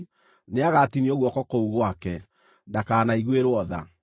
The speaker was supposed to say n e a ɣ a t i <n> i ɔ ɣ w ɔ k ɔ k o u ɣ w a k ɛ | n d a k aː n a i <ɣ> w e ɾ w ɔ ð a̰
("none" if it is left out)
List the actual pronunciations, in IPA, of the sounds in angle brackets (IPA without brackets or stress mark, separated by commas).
n, ɣ